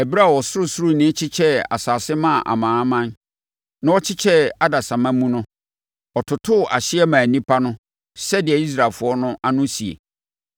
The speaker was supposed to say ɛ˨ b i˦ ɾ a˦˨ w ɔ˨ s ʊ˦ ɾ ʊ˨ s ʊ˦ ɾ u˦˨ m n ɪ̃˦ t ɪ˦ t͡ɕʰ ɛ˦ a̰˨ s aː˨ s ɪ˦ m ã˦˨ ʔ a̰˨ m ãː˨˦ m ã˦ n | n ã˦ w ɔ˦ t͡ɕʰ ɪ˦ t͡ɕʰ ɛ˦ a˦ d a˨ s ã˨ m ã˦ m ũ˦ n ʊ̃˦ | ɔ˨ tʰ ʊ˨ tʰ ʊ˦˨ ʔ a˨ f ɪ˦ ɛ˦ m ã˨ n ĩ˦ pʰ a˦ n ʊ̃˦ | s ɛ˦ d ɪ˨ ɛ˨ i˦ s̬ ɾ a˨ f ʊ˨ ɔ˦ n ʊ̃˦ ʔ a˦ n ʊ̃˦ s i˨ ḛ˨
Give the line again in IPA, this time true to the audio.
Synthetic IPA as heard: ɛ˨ b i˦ ɾ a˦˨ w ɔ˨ s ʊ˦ ɾ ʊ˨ s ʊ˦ ɾ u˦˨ n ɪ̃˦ t͡ɕʰ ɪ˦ t͡ɕʰ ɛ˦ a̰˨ s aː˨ s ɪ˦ m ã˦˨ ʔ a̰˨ m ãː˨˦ m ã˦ n | n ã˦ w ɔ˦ t͡ɕʰ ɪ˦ t͡ɕʰ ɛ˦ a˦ d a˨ s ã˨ m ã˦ m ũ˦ n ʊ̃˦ | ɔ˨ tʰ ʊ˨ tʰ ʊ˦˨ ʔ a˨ ɕ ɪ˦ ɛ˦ m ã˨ n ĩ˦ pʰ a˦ n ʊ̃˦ | s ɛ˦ d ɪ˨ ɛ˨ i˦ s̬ ɾ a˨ f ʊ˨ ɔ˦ n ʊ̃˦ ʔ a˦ n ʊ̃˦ s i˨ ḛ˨